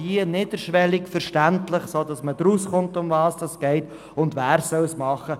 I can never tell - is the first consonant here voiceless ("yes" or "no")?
no